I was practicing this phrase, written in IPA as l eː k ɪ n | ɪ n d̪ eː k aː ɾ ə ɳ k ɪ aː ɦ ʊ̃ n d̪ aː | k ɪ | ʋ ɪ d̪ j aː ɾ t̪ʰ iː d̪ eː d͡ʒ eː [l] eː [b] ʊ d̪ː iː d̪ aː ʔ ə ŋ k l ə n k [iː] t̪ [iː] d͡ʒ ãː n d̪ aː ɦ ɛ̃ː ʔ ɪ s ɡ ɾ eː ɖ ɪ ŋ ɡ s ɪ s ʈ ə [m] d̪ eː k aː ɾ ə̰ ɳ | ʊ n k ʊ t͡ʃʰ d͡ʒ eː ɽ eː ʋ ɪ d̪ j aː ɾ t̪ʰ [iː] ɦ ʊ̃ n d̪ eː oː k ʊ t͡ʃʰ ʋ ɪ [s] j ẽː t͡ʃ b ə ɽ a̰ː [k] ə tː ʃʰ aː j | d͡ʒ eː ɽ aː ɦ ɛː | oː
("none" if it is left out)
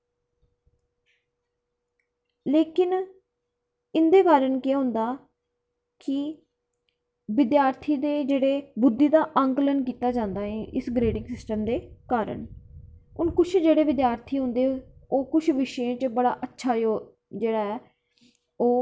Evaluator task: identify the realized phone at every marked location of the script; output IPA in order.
ɽ, b, iː, aː, m, iː, ʃ, ʔ

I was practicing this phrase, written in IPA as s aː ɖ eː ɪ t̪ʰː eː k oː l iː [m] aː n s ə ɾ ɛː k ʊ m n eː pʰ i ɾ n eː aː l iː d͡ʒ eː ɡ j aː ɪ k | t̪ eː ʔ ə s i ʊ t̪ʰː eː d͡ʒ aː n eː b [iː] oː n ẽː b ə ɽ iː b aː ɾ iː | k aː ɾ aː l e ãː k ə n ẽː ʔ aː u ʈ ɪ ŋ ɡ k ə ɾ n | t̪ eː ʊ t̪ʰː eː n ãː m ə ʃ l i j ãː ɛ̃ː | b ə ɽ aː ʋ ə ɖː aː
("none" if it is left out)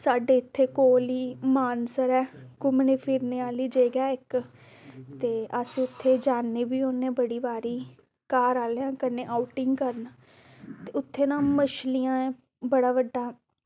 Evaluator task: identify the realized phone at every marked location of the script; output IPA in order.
m, iː

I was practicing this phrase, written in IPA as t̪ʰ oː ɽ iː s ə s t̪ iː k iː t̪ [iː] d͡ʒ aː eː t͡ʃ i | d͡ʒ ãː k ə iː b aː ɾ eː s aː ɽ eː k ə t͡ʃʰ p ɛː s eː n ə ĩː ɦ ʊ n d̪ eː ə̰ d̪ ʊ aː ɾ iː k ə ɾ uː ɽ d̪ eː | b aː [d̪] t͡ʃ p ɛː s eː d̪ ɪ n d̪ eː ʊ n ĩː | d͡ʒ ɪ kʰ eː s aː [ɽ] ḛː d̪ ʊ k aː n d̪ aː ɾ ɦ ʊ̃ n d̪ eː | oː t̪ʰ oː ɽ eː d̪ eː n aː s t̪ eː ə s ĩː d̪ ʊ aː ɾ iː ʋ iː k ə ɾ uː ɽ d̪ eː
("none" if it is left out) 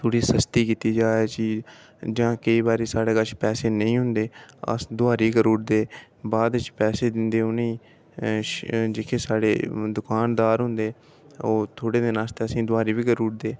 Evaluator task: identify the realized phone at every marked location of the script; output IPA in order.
iː, d̪, ɽ

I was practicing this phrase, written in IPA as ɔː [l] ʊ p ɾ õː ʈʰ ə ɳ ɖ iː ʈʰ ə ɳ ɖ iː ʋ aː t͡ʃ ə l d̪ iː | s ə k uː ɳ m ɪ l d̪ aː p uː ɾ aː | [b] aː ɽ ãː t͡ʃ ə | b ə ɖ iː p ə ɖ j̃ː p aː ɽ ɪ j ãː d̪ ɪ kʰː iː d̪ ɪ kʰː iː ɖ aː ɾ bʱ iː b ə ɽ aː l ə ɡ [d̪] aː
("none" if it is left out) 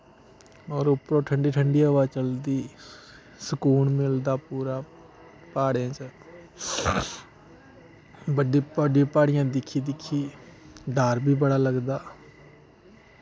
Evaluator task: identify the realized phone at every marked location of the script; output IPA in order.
ɾ, p, d̪

